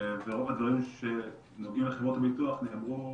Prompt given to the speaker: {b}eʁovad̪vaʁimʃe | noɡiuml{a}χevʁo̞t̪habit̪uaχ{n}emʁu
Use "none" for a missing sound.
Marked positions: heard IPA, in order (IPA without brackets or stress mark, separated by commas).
v, e, n